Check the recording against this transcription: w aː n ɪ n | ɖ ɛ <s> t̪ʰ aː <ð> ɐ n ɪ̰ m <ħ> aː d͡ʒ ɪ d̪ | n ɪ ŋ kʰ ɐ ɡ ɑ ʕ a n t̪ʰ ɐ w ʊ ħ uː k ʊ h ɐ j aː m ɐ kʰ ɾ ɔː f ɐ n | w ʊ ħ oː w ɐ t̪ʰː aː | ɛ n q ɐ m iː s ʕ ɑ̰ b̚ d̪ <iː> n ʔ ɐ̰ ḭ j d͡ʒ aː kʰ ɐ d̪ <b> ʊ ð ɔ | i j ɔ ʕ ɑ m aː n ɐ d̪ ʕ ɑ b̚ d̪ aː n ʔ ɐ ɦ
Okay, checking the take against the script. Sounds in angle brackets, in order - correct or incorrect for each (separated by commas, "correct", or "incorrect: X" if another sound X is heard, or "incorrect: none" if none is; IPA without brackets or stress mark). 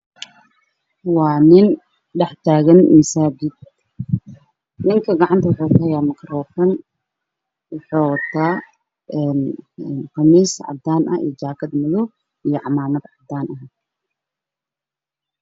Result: incorrect: ħ, incorrect: ɣ, incorrect: s, incorrect: aː, incorrect: m